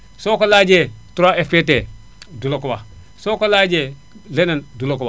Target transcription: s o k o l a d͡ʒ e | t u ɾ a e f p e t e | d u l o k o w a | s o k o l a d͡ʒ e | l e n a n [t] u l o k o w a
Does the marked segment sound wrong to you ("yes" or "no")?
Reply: yes